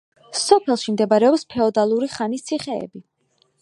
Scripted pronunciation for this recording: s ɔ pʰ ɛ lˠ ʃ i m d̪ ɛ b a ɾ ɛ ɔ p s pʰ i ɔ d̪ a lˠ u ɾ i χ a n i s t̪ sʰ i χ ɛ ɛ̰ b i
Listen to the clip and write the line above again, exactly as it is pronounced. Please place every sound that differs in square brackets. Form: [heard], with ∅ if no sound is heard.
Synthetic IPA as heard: s ɔ pʰ ɛ lˠ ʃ i m d̪ ɛ b a ɾ ɛ ɔ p s pʰ [ɛ] ɔ d̪ a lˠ u ɾ i χ a n i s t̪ sʰ i χ ɛ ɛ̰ b i